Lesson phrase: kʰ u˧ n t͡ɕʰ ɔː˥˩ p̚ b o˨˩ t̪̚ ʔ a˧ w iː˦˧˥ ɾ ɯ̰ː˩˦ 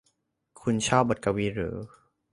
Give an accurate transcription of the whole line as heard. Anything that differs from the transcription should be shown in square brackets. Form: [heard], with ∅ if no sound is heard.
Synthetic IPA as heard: kʰ u˧ n t͡ɕʰ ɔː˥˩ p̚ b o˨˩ t̪̚ [k] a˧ w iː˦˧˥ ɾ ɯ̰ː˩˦